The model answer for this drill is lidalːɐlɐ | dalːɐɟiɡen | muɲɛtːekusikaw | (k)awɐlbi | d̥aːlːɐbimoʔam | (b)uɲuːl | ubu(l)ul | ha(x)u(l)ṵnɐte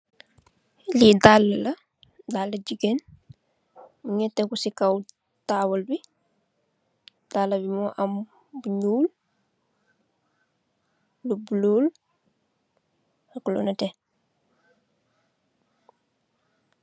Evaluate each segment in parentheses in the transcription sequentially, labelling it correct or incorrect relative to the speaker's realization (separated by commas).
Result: incorrect, correct, correct, incorrect, correct